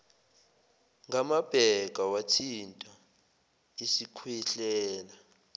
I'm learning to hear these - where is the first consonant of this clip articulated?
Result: velum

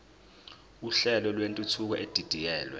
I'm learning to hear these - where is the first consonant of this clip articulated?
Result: tongue tip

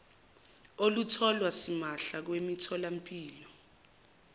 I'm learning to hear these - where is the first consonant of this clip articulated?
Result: tongue tip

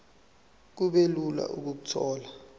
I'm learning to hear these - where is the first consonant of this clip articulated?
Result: velum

